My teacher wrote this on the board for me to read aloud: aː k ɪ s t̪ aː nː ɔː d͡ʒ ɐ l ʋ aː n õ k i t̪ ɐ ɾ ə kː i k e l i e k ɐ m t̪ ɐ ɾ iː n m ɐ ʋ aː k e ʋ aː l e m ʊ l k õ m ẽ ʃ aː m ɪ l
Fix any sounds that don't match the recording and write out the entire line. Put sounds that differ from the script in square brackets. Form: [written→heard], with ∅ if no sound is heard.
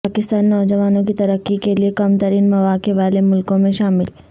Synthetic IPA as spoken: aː k ɪ s t̪ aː nː ɔː d͡ʒ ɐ [l→∅] ʋ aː n õ k i t̪ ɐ ɾ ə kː i k e l i e k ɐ m t̪ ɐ ɾ iː n m ɐ ʋ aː k e ʋ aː l e m ʊ l k õ m ẽ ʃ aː m ɪ l